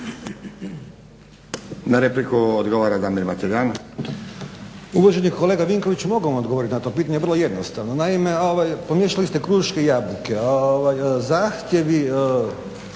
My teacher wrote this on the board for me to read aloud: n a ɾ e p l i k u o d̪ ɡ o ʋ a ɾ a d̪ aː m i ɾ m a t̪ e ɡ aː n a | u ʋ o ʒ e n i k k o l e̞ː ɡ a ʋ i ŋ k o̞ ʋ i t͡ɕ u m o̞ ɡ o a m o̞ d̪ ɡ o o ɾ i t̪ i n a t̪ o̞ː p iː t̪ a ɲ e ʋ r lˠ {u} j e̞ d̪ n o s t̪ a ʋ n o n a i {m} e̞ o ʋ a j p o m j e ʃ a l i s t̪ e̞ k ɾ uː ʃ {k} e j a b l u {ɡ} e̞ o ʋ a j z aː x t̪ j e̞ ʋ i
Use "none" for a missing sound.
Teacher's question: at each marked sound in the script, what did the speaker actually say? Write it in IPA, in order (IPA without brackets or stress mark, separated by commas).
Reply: o, m, k, k